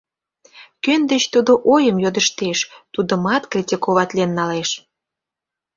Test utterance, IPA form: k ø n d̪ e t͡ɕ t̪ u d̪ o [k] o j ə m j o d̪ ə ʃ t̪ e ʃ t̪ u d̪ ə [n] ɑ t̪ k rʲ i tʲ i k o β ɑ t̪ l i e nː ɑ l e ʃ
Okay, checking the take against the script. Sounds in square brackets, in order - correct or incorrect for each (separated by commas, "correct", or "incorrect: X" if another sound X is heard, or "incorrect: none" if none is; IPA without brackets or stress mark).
incorrect: ʔ, incorrect: m